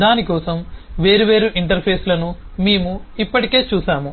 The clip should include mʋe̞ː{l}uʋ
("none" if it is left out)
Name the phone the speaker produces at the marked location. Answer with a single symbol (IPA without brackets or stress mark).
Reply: ɾ